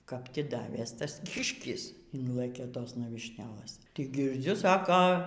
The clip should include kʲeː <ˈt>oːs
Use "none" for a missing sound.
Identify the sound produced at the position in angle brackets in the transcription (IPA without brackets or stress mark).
t